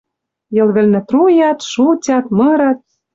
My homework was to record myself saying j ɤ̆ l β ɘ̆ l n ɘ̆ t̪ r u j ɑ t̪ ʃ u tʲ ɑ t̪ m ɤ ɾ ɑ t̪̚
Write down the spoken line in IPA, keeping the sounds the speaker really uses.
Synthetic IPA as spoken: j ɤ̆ l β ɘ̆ l n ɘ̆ t̪ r u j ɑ t̪ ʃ u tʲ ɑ t̪ m ɤ ɾ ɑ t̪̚

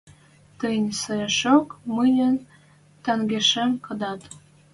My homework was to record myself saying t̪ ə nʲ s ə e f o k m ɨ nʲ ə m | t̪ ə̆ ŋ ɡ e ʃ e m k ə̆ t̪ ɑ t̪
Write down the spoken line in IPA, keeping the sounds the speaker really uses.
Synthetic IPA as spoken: t̪ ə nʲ s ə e ʃ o k m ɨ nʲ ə n | t̪ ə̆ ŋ ɡ e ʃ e m k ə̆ d̪ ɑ t̪

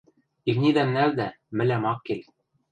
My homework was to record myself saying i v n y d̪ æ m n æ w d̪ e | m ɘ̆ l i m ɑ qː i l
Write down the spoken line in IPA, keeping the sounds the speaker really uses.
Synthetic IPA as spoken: i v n i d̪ æ m n æ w d̪ æ | m ɘ̆ l æ m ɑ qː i l

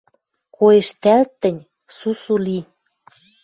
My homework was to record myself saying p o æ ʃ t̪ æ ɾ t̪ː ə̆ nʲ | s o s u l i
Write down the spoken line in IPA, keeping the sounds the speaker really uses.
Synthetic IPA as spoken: k o e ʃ t̪ æ l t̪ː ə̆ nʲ | s u s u l i

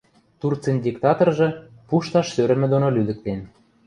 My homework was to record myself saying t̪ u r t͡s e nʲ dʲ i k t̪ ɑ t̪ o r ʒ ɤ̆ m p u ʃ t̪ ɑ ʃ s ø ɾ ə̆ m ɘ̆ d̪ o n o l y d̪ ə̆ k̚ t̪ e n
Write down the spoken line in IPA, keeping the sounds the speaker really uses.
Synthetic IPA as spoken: t̪ u r t͡s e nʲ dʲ i k t̪ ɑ t̪ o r ʒ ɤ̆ p u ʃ t̪ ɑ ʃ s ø ɾ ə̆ m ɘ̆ d̪ o n o l y d̪ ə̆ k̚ t̪ e n

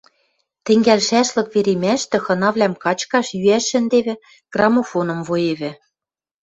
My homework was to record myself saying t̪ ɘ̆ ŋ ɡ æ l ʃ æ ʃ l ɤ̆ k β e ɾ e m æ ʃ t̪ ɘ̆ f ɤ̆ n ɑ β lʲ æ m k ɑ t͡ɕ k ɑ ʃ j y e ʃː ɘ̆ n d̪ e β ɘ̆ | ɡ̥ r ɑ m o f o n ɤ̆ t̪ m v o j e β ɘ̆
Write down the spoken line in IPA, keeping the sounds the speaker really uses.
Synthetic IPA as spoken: t̪ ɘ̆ ŋ ɡ æ l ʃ æ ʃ l ɤ̆ k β e ɾ e m æ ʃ t̪ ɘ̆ x ɤ̆ n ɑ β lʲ æ m k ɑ t͡ɕ k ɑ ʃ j y æ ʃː ɘ̆ n d̪ e β ɘ̆ | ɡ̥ r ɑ m o f o n ɤ̆ m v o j e β ɘ̆

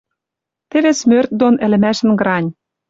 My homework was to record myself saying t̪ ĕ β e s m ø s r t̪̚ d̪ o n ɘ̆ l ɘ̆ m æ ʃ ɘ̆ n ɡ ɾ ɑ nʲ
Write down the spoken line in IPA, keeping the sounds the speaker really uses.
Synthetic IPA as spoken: t̪ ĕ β e s m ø r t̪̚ d̪ o n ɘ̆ l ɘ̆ m æ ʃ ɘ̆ n ɡ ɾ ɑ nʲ

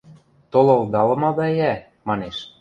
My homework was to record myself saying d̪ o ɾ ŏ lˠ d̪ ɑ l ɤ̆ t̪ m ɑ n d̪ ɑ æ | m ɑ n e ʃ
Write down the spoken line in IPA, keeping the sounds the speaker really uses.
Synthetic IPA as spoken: t̪ o l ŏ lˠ d̪ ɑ l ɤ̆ m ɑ d̪ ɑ æ | m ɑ n e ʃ

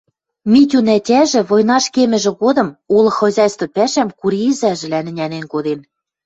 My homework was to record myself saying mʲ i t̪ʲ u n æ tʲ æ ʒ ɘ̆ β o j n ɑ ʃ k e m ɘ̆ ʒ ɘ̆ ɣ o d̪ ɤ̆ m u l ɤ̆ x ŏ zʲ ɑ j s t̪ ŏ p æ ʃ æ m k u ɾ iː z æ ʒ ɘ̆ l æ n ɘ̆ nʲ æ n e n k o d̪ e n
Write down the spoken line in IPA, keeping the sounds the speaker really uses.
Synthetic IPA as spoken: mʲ i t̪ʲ u n æ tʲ æ ʒ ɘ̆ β o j n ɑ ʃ k e m ɘ̆ ʒ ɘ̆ ɣ o d̪ ɤ̆ m u l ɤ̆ x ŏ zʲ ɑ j s t̪ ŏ p æ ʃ æ m k u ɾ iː z æ ʒ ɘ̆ l æ n ɘ̆ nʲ æ n e n k o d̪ e n

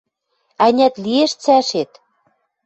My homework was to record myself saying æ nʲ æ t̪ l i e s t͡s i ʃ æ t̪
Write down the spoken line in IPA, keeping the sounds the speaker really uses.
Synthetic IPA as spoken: æ nʲ æ t̪ l i e ʃ t͡s æ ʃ e t̪

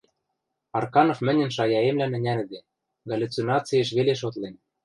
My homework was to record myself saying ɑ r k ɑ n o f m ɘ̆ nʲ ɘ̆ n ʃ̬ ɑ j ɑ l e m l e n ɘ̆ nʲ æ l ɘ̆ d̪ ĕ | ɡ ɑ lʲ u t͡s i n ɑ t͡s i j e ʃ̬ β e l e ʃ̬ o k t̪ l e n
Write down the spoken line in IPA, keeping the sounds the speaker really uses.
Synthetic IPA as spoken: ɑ r k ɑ n o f m ɘ̆ nʲ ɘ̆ n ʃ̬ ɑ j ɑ e m l æ n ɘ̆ nʲ æ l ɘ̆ d̪ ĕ | ɡ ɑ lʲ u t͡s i n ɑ t͡s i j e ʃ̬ β e l e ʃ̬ o t̪ l e n

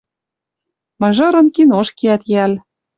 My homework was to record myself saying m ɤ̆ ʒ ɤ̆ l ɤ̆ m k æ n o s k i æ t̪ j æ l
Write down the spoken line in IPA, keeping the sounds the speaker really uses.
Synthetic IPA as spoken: m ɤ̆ ʒ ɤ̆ ɾ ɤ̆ n k i n o ʃ k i æ t̪ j æ l

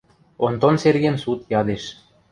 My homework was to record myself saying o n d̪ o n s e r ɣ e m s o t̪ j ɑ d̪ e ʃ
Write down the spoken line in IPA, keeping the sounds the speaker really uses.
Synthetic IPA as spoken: o n t̪ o n s e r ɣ e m s u t̪ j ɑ d̪ e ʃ

